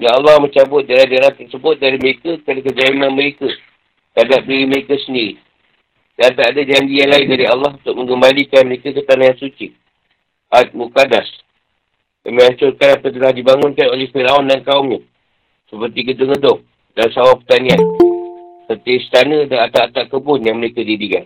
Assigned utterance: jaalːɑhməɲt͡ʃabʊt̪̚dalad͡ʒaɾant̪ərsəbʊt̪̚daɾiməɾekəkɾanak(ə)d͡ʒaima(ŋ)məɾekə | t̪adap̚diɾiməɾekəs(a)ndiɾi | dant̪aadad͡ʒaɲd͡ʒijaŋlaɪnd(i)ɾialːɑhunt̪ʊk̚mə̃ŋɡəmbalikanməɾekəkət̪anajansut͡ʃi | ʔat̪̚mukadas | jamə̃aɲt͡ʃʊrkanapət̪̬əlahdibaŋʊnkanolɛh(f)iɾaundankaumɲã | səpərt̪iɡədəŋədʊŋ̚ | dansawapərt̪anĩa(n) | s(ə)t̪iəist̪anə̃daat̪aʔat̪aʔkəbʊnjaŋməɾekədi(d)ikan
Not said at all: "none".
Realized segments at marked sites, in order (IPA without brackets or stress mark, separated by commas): ə, n, ə, a, f, n, ə, d